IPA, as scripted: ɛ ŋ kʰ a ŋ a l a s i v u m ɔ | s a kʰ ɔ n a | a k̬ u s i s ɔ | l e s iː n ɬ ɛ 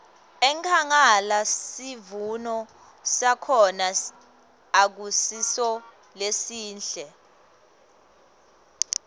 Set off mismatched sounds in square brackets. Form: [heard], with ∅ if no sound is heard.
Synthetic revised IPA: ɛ ŋ kʰ a ŋ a l a s i v u [n] ɔ | s a kʰ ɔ n a | a k̬ u s i s ɔ | l e s iː n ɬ ɛ